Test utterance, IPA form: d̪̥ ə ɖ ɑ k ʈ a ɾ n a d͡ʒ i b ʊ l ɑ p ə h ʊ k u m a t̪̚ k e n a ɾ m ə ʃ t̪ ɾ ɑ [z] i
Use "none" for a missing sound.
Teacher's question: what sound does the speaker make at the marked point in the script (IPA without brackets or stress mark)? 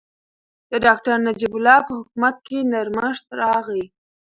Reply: ɣ